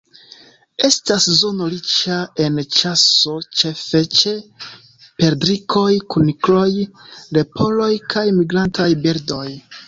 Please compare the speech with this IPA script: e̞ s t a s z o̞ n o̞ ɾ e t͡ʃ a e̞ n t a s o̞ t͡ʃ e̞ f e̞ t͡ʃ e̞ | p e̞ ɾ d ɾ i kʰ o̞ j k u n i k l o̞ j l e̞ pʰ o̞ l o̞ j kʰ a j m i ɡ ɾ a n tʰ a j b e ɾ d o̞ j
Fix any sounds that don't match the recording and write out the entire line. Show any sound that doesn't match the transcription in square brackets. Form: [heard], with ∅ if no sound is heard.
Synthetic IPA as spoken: e̞ s t a s z o̞ n o̞ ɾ [i] t͡ʃ a e̞ n [t͡ʃ] a s o̞ t͡ʃ e̞ f e̞ t͡ʃ e̞ | p e̞ ɾ d ɾ i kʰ o̞ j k u n i k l o̞ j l e̞ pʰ o̞ l o̞ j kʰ a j m i ɡ ɾ a n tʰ a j b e ɾ d o̞ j